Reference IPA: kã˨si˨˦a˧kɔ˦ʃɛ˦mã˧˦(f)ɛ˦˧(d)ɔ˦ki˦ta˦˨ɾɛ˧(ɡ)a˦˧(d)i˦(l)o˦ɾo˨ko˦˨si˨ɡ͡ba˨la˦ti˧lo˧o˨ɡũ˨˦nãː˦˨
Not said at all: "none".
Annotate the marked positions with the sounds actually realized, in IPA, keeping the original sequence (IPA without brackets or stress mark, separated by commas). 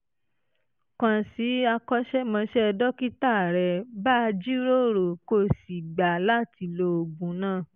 ʃ, d, b, d͡ʒ, ɾ